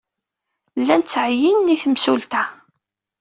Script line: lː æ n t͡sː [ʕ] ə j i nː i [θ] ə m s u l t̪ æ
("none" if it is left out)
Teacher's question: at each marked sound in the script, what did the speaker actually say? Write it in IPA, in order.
ʕ, θ

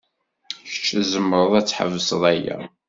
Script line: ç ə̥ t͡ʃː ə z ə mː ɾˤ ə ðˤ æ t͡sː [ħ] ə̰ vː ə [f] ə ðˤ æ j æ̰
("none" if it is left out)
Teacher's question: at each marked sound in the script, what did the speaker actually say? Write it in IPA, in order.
ħ, s

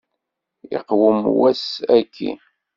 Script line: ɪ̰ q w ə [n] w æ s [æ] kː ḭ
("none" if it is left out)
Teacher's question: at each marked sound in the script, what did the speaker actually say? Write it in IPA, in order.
m, æ

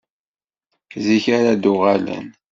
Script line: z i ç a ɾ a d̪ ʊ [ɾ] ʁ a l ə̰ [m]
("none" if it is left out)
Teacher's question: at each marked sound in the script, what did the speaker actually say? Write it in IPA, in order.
none, n

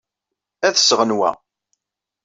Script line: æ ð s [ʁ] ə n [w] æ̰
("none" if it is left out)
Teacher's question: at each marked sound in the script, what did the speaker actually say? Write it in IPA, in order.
ʁ, w

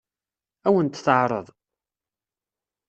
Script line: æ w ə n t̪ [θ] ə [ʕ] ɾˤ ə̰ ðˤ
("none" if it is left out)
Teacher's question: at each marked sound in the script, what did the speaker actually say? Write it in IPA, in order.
θ, ʕ

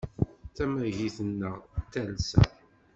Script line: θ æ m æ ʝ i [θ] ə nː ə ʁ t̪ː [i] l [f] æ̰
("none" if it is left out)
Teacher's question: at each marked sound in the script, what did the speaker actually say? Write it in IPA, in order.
θ, æ, s

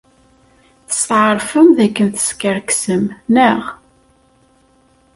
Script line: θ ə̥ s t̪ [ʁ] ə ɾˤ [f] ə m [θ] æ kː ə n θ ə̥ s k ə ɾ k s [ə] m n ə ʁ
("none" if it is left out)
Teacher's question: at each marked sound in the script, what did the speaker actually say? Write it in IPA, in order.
ʕ, f, ð, ə

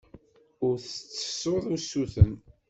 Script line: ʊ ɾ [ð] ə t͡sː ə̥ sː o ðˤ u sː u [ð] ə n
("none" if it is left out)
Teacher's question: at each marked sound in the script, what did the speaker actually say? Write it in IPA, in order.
θ, θ

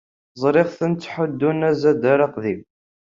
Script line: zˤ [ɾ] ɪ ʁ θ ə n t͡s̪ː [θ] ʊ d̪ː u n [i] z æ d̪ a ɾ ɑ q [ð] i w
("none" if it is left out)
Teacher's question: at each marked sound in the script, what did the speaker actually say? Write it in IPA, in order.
ɾ, ħ, æ, ð

